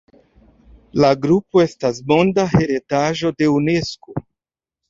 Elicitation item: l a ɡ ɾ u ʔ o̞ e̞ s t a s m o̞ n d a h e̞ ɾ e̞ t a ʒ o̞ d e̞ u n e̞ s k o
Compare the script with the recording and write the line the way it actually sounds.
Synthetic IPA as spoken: l a ɡ ɾ u p o̞ e̞ s t a s m o̞ n d a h e̞ ɾ e̞ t a ʒ o̞ d e̞ u n e̞ s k o

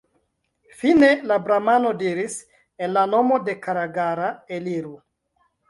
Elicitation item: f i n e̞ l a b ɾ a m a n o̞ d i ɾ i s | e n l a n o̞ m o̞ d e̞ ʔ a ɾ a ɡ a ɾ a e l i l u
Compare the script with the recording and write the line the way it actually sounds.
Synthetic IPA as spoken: f i n e̞ l a b ɾ a m a n o̞ d i ɾ i s | e n l a n o̞ m o̞ d e̞ k a ɾ a ɡ a ɾ a e l i ɾ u

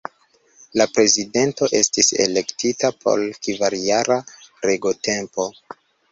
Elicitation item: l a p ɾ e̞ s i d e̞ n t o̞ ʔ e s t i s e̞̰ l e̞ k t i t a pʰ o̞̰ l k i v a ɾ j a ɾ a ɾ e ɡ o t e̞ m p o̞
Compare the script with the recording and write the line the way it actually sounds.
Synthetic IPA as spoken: l a p ɾ e̞ z i d e̞ n t o̞ ʔ e s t i s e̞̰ l e̞ k t i t a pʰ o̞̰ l k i v a ɾ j a ɾ a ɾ e ɡ o t e̞ m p o̞

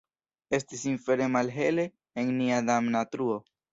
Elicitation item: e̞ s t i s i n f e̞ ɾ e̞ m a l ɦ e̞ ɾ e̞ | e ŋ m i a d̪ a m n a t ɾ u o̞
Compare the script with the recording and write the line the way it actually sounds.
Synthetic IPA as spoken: e̞ s t i s i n f e̞ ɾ e̞ m a l ɦ e̞ l e̞ | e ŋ n i a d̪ a m n a t ɾ u o̞

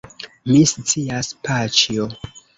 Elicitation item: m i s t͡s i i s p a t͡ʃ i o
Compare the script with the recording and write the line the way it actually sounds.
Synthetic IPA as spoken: m i s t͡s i a s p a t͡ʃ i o

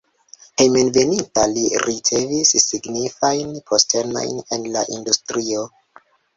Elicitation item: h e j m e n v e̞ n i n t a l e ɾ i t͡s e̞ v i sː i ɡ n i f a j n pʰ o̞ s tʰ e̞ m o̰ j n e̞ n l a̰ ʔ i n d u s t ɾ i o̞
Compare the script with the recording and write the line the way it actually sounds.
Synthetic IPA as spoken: h e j m e n v e̞ n i n t a l i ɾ i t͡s e̞ v i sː i ɡ n i f a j n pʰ o̞ s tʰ e̞ n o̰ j n e̞ n l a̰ ʔ i n d u s t ɾ i o̞

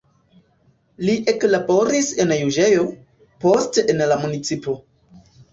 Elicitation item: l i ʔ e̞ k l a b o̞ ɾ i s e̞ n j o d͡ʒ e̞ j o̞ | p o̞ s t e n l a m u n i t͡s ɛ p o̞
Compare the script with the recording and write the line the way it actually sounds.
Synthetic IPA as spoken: l i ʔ e̞ k l a b o̞ ɾ i s e̞ n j u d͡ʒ e̞ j o̞ | p o̞ s t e n l a m u n i t͡s i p o̞

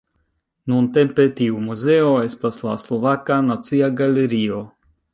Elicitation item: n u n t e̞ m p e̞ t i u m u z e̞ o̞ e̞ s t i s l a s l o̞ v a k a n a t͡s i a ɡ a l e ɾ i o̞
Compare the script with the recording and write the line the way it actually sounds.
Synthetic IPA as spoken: n u n t e̞ m p e̞ t i u m u z e̞ o̞ e̞ s t a s l a s l o̞ v a k a n a t͡s i a ɡ a l e ɾ i o̞

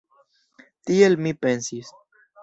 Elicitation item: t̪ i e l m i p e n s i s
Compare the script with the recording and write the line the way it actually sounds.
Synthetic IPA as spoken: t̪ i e l m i p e n s i s

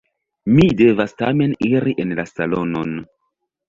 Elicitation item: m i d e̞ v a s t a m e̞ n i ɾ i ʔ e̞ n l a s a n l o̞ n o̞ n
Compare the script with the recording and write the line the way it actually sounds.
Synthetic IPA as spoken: m i d e̞ v a s t a m e̞ n i ɾ i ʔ e̞ n l a s a l o̞ n o̞ n

